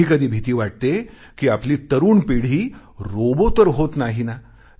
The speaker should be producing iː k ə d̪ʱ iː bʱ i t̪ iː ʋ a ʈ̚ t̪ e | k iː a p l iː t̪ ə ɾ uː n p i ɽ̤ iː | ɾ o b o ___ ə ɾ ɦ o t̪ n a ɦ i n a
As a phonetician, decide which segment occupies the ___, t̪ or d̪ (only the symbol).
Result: t̪